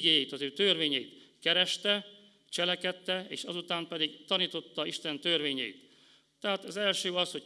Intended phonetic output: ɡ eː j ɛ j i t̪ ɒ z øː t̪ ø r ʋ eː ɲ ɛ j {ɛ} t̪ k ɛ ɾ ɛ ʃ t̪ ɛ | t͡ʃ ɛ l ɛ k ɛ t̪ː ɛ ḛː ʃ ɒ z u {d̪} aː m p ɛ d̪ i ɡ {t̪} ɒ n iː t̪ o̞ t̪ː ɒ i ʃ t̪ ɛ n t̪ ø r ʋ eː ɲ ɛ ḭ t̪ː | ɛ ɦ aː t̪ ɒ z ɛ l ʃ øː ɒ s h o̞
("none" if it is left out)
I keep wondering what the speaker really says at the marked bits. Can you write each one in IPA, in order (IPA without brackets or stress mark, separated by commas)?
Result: i, t̪, t̪